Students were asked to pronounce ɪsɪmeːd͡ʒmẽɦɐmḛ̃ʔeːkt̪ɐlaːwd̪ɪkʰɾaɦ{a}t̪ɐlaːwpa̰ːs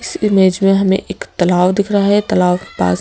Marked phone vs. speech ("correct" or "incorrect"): incorrect